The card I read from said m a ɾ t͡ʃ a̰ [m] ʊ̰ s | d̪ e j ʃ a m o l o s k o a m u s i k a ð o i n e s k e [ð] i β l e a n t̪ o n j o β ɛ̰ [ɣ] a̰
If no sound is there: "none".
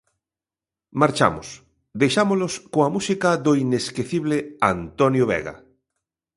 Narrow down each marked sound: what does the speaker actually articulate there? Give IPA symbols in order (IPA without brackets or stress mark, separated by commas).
m, θ, ɣ